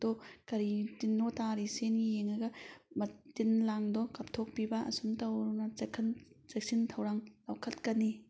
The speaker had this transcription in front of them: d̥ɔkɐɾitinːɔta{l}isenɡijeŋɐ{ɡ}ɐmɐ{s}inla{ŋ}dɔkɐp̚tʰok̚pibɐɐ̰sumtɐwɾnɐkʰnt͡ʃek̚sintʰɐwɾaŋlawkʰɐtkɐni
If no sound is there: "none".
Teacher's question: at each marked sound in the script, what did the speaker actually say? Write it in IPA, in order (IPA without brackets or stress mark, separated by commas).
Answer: ɾ, ɡ, t, ŋ